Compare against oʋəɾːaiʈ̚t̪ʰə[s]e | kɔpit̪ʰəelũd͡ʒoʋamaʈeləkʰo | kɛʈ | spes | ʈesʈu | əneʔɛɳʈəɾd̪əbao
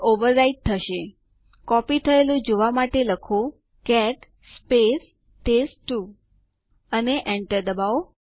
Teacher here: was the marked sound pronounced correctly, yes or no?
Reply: no